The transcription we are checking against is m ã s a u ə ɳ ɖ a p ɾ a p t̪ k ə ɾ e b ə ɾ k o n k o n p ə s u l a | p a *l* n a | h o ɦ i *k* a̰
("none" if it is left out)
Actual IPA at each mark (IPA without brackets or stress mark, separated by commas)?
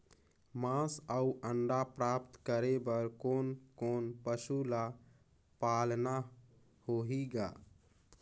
l, ɡ